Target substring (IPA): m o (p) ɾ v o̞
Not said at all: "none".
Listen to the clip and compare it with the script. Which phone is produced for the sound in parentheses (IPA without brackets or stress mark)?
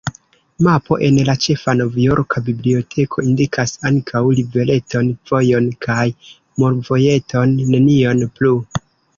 none